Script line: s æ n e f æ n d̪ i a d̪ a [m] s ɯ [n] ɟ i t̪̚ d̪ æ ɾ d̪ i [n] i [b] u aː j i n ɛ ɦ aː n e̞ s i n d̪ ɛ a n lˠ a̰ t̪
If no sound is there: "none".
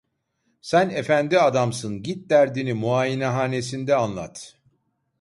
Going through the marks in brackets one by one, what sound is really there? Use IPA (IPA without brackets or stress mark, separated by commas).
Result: m, n, n, m